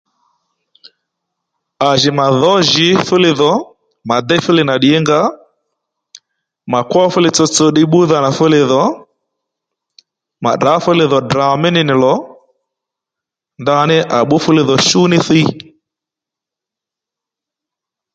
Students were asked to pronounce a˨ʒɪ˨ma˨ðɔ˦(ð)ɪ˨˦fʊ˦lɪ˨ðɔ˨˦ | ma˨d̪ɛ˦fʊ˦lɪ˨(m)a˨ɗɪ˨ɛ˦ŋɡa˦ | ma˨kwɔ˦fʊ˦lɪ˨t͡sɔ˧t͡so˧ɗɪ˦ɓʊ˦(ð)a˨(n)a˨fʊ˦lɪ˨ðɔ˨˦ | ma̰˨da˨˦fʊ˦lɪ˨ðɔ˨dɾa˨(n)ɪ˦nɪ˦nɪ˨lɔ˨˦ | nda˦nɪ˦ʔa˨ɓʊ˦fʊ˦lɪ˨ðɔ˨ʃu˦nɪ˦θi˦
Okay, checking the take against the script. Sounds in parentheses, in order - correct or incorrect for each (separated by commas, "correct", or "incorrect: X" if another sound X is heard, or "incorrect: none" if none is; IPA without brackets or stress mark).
incorrect: ʒ, incorrect: n, correct, correct, incorrect: m